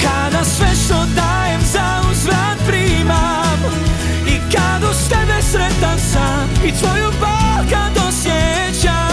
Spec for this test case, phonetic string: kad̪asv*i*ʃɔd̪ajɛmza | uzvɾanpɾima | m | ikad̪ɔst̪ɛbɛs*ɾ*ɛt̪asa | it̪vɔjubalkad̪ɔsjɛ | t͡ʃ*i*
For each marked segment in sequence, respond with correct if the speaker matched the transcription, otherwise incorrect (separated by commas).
incorrect, correct, incorrect